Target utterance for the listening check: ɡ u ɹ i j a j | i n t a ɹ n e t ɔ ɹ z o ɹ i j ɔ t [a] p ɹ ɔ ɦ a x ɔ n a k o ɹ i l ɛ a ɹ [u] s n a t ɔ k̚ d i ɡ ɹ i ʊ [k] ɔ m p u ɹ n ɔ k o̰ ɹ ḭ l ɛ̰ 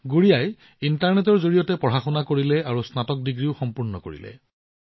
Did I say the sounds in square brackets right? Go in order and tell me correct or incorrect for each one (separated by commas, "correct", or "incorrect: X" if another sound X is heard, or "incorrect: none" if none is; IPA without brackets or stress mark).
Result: incorrect: ɛ, correct, incorrect: x